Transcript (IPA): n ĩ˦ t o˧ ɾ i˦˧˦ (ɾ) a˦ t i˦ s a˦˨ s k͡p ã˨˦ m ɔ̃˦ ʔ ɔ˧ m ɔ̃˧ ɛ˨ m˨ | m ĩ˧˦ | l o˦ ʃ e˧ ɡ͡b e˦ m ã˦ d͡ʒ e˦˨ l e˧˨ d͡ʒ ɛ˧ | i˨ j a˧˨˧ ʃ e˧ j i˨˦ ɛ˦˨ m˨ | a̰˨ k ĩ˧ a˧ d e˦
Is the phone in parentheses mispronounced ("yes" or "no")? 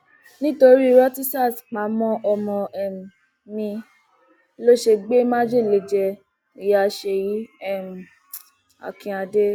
no